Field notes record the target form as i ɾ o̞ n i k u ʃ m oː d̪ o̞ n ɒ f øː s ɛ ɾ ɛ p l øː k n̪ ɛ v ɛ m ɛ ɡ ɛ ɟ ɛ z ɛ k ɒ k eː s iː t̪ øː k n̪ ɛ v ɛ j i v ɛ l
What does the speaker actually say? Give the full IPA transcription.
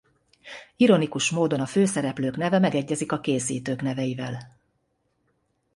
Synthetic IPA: i ɾ o̞ n i k u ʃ m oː d̪ o̞ n ɒ f øː s ɛ ɾ ɛ p l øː k n̪ ɛ v ɛ m ɛ ɡ ɛ ɟː ɛ z i k ɒ k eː s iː t̪ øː k n̪ ɛ v ɛ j i v ɛ l